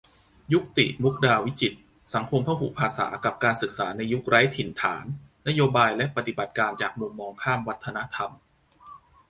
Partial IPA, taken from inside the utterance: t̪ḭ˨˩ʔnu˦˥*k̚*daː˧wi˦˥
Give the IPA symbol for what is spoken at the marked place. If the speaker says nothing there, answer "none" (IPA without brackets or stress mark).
k̚